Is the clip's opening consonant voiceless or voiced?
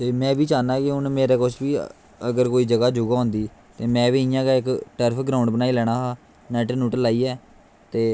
voiceless